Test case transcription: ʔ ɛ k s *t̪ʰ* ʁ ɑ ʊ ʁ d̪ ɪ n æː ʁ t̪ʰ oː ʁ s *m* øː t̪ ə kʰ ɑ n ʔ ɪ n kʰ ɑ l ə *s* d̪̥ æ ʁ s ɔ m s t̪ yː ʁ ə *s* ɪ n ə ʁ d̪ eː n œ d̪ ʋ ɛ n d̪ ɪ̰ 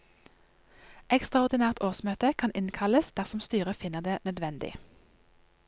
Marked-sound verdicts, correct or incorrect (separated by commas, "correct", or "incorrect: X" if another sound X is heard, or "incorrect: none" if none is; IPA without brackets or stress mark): incorrect: t̪, correct, correct, incorrect: f